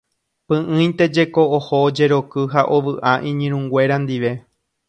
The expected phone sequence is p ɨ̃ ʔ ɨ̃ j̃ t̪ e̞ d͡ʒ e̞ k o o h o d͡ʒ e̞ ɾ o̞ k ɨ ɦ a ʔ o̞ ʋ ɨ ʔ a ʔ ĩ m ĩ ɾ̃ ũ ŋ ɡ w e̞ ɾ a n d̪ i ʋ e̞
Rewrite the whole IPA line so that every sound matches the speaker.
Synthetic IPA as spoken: p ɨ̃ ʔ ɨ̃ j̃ t̪ e̞ d͡ʒ e̞ k o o h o d͡ʒ e̞ ɾ o̞ k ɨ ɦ a ʔ o̞ ʋ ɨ ʔ a ʔ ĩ ɲ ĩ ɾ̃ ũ ŋ ɡ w e̞ ɾ a n d̪ i ʋ e̞